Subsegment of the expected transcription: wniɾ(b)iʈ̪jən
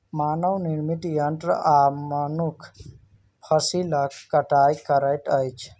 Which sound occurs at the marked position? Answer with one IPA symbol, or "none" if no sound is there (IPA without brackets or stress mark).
m